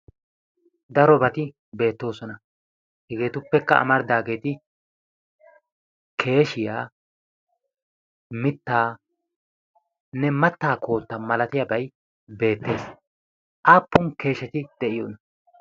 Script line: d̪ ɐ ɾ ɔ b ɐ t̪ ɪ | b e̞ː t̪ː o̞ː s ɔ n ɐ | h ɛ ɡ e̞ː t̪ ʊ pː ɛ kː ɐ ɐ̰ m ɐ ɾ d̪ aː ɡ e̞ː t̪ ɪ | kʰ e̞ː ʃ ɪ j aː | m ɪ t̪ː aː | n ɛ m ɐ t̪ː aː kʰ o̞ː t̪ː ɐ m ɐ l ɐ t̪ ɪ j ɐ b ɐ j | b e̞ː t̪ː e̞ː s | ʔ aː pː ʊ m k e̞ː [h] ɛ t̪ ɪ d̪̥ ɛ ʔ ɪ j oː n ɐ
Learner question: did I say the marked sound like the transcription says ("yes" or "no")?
no